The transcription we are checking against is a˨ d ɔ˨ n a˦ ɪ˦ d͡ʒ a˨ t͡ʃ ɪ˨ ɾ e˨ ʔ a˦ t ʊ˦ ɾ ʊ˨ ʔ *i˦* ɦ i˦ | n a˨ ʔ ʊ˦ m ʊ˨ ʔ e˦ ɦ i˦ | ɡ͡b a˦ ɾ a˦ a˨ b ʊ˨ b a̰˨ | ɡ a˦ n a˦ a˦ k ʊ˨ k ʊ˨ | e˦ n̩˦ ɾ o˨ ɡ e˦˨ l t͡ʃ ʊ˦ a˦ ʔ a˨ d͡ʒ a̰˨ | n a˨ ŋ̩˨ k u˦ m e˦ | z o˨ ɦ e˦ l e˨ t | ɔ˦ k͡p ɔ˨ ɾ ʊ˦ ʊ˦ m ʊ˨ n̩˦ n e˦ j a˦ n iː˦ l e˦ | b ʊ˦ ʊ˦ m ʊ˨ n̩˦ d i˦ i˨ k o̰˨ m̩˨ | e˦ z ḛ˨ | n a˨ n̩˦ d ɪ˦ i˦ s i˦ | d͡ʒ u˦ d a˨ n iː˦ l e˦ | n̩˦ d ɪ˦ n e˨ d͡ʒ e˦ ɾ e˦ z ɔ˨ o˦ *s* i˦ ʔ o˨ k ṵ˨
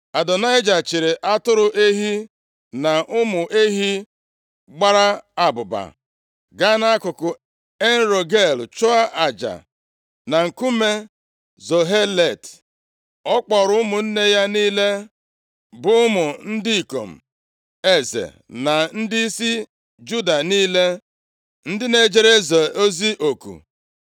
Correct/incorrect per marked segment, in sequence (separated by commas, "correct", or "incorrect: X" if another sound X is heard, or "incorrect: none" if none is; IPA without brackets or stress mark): incorrect: e˦, incorrect: z